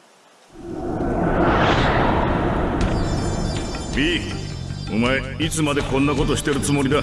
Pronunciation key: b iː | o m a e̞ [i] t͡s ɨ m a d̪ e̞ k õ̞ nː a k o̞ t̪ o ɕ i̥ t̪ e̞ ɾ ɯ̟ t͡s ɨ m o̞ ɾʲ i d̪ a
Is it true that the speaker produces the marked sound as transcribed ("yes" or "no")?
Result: yes